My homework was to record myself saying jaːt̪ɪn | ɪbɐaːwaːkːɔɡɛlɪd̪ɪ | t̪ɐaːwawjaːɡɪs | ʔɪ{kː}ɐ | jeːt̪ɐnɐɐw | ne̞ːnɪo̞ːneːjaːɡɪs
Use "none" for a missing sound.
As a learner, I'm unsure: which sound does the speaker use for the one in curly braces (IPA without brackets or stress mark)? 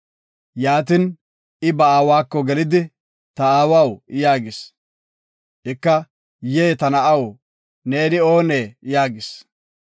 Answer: kː